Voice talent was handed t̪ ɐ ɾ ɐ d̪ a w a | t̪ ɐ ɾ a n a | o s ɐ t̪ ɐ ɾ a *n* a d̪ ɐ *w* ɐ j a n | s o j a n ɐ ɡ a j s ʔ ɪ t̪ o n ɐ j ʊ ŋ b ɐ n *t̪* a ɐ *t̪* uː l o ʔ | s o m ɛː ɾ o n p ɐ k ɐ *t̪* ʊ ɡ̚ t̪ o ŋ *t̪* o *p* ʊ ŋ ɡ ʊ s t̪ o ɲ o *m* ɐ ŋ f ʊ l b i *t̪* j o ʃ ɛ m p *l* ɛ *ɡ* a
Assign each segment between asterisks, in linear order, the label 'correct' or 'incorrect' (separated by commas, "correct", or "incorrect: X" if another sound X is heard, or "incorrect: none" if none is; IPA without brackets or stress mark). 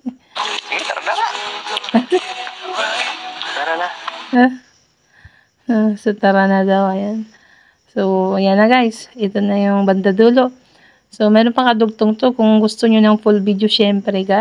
correct, correct, incorrect: d̪, incorrect: d̪, incorrect: d̪, correct, incorrect: k, incorrect: n, incorrect: d̪, incorrect: ɾ, correct